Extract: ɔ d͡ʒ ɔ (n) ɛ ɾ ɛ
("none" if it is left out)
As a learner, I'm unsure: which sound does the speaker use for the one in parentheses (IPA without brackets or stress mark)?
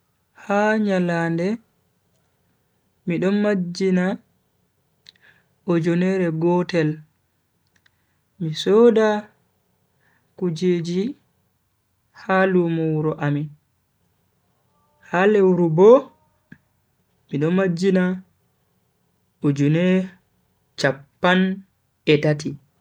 n